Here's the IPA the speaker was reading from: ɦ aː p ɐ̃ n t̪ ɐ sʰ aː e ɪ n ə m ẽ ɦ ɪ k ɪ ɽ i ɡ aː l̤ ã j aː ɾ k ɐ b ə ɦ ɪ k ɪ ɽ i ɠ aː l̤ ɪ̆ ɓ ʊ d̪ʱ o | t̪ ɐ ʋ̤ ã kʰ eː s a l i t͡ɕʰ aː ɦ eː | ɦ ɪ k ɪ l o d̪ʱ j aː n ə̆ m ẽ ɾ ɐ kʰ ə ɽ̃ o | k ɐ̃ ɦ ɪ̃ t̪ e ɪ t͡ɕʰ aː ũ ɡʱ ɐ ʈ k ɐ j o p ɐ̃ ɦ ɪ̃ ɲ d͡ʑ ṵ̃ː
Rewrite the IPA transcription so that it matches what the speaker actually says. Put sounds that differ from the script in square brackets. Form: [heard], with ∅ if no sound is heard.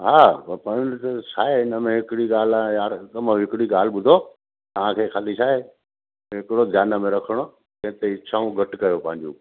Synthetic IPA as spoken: ɦ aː p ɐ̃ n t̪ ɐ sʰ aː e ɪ n ə m ẽ ɦ ɪ k ɪ ɽ i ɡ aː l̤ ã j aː ɾ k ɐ [m] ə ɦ ɪ k ɪ ɽ i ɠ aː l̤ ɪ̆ ɓ ʊ d̪ʱ o | t̪ ɐ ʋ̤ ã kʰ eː [x] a l i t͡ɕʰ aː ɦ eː | ɦ ɪ k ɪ [ɽ] o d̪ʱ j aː n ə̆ m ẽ ɾ ɐ kʰ ə ɽ̃ o | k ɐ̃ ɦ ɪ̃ t̪ e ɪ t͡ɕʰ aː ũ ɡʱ ɐ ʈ k ɐ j o p ɐ̃ ɦ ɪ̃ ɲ d͡ʑ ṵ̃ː

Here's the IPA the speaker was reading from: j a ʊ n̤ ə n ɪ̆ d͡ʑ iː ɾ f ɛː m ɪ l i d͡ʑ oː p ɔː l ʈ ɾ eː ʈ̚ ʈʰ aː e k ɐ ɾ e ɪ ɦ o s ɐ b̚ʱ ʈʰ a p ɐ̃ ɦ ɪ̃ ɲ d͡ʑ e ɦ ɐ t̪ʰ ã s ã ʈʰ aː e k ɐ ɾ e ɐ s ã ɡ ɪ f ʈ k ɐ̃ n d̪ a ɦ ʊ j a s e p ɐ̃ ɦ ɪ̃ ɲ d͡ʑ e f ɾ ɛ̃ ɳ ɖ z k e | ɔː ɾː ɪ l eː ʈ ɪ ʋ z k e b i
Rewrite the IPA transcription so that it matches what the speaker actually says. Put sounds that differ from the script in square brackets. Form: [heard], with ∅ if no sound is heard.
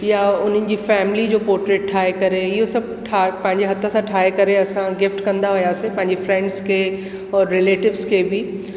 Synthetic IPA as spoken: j a ʊ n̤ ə n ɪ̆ d͡ʑ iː [∅] f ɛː m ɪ l i d͡ʑ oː p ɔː [ɾ] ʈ ɾ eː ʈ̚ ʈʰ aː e k ɐ ɾ e ɪ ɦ o s ɐ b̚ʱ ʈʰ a p ɐ̃ ɦ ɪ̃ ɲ d͡ʑ e ɦ ɐ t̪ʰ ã s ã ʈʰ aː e k ɐ ɾ e ɐ s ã ɡ ɪ f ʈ k ɐ̃ n d̪ a ɦ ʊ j a s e p ɐ̃ ɦ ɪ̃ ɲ d͡ʑ e f ɾ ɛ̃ ɳ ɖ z k e | ɔː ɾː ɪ l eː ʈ ɪ ʋ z k e b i

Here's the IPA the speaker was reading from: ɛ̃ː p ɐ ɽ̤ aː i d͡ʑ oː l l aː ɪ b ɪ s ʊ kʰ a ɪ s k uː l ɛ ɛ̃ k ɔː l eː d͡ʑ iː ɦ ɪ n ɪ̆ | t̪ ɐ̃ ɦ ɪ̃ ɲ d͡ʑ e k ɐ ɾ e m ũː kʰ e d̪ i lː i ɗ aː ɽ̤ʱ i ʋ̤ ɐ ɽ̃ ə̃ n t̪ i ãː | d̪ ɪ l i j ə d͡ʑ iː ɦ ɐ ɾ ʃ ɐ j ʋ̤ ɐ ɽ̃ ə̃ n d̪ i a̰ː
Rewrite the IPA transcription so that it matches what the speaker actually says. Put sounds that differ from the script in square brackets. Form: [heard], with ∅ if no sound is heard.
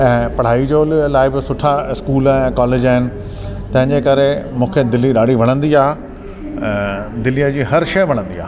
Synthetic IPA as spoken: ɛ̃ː p ɐ ɽ̤ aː i d͡ʑ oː l l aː ɪ b ɪ s ʊ [ʈʰ] a ɪ s k uː l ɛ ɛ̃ k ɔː l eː d͡ʑ [aː] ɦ ɪ n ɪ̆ | t̪ ɐ̃ ɦ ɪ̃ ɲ d͡ʑ e k ɐ ɾ e m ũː kʰ e d̪ [ɪ] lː i ɗ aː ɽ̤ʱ i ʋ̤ ɐ ɽ̃ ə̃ n [d̪] i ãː | d̪ ɪ l i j ə d͡ʑ iː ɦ ɐ ɾ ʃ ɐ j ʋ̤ ɐ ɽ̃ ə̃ n d̪ i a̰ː

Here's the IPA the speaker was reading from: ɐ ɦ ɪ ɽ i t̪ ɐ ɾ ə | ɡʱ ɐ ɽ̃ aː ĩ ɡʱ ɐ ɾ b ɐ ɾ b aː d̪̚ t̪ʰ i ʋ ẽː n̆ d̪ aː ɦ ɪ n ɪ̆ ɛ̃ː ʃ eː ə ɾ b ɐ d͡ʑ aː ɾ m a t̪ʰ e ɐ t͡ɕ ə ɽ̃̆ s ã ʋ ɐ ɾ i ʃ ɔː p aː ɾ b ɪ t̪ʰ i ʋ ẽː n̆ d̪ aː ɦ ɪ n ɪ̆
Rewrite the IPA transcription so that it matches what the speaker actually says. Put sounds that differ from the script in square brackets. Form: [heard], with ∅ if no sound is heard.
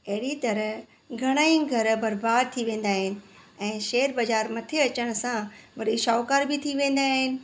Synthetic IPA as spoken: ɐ ɦ ɪ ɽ i t̪ ɐ ɾ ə | ɡʱ ɐ ɽ̃ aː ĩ ɡʱ ɐ ɾ b ɐ ɾ b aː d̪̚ t̪ʰ i ʋ ẽː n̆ d̪ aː ɦ ɪ n ɪ̆ ɛ̃ː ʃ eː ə ɾ b ɐ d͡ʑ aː ɾ m [ɐ] t̪ʰ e ɐ t͡ɕ ə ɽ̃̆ s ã ʋ ɐ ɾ i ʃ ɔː [k] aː ɾ b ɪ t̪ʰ i ʋ ẽː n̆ d̪ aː ɦ ɪ n ɪ̆

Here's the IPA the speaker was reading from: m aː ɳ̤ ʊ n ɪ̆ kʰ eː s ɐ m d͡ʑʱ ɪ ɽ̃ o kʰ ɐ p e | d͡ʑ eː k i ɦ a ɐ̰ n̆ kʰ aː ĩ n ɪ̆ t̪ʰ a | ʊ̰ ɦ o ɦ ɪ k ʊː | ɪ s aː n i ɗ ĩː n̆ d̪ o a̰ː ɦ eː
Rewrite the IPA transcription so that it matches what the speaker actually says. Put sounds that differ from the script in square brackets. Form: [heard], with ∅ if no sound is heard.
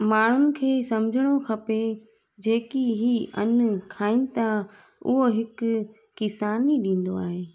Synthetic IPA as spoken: m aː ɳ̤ ʊ n ɪ̆ kʰ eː s ɐ m d͡ʑʱ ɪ ɽ̃ o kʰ ɐ p e | d͡ʑ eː k i ɦ [i] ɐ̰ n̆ kʰ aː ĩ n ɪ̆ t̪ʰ a | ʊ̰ ɦ o ɦ ɪ k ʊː | ɪ s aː n i ɗ ĩː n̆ d̪ o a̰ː ɦ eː

